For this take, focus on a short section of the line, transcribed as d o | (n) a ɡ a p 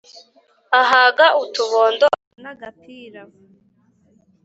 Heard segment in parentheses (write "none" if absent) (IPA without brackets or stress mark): n